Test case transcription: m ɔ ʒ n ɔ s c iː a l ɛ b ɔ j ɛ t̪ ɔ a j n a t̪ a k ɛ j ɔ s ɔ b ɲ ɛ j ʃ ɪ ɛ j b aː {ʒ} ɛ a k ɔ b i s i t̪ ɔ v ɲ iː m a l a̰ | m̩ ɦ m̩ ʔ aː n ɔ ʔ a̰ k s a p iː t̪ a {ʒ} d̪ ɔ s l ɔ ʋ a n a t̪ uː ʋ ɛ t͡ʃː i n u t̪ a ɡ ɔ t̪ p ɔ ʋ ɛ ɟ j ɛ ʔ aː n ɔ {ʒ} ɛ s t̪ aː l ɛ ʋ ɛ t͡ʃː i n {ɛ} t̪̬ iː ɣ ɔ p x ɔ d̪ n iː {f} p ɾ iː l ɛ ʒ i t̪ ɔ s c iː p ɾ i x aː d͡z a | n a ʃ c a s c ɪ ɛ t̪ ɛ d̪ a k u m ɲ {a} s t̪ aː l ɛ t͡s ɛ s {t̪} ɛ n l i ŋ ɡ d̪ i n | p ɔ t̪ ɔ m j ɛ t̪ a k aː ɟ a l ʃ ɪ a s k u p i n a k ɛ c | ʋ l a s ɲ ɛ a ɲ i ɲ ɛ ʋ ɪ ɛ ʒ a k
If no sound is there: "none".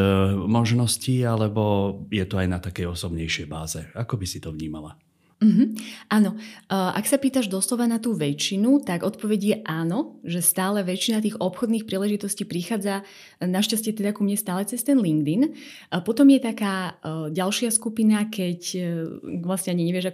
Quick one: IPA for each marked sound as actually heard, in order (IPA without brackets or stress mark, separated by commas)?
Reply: z, ʒ, ʒ, a, x, ɛ, t̪